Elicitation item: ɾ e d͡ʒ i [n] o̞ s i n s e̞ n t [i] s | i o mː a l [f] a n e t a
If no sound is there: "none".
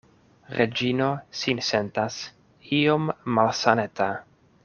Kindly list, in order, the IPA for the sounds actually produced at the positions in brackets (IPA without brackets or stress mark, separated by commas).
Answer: n, a, s